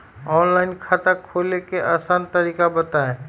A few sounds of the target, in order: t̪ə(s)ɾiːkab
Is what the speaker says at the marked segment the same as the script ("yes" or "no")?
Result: no